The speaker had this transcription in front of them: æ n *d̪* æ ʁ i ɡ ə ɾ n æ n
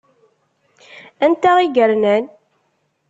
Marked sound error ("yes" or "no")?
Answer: yes